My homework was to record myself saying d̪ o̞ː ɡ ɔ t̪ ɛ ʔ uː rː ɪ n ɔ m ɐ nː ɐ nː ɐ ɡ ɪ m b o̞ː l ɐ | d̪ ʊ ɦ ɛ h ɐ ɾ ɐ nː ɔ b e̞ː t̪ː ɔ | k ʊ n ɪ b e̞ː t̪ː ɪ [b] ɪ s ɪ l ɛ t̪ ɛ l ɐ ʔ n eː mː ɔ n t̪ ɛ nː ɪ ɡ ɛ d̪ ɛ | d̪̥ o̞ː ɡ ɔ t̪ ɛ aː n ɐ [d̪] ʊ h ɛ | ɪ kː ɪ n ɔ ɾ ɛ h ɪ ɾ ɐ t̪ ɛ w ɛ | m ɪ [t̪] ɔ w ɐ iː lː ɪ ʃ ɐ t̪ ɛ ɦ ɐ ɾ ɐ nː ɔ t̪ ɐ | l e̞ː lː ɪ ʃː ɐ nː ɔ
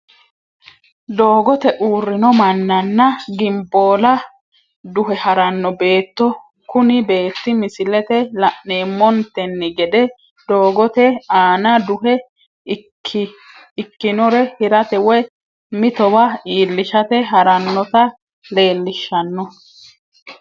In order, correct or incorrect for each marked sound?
incorrect: m, correct, correct

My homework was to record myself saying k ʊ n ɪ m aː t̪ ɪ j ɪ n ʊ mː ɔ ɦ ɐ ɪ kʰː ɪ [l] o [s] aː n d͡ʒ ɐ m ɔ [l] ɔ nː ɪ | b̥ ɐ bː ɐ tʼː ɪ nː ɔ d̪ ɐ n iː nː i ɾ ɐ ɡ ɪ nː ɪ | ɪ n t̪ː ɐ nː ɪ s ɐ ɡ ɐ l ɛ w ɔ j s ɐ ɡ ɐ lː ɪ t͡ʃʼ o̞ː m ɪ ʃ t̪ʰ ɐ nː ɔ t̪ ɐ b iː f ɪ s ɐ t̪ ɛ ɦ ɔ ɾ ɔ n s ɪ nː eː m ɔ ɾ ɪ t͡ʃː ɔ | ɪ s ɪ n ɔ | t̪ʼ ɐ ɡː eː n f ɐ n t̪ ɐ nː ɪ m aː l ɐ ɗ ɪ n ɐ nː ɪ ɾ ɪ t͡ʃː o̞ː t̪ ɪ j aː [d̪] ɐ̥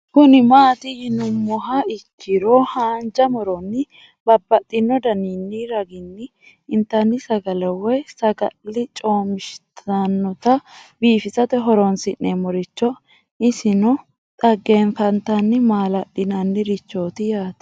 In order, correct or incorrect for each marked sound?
incorrect: ɾ, incorrect: h, incorrect: ɾ, incorrect: t̪

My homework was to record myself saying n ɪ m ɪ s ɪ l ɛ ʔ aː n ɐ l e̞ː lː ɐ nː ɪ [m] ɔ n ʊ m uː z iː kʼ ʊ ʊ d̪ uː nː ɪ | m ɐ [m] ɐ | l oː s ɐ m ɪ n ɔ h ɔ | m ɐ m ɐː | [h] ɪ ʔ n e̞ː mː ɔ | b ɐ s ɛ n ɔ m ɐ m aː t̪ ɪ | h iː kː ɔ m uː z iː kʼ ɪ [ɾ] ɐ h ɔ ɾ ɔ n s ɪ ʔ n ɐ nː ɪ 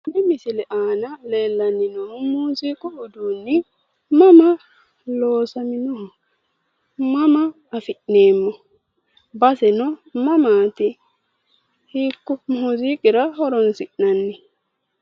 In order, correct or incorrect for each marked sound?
incorrect: n, correct, incorrect: f, correct

